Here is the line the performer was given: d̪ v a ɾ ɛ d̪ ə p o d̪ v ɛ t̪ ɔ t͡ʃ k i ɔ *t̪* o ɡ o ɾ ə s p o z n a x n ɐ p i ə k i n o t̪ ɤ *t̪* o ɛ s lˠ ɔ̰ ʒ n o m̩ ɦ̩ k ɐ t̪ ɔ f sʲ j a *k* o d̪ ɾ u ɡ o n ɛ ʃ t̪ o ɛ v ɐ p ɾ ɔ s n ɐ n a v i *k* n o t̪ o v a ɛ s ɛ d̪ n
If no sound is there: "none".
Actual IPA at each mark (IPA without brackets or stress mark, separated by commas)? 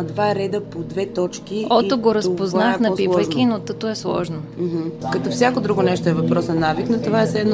t̪, t̪, k, k